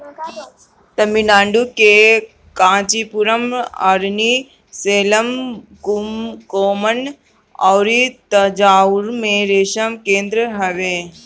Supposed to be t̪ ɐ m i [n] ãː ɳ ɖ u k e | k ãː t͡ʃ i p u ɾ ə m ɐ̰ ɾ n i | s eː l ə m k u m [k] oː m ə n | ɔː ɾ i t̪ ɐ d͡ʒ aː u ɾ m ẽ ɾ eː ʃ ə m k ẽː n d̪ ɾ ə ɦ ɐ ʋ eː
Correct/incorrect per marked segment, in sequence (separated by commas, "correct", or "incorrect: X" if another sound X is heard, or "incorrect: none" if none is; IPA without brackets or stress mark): correct, correct